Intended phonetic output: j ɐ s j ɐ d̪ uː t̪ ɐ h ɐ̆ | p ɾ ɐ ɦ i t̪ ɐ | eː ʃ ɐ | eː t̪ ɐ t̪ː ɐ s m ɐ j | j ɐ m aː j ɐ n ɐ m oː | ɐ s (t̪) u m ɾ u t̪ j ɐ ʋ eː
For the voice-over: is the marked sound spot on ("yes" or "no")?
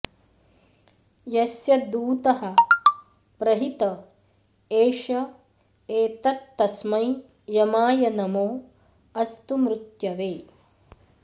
yes